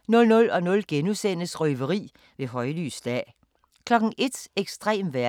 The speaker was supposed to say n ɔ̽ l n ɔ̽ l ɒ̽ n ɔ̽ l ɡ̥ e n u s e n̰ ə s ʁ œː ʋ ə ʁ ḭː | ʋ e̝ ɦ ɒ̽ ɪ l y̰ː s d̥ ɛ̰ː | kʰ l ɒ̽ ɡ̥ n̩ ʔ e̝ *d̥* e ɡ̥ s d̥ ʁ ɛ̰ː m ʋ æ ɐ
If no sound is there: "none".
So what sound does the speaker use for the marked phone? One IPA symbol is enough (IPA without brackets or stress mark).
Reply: d̥